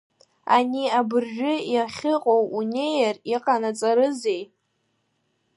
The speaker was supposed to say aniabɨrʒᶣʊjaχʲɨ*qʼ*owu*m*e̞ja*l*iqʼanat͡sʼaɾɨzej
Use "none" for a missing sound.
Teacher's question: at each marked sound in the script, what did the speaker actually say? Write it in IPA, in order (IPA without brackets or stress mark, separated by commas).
qʼ, n, r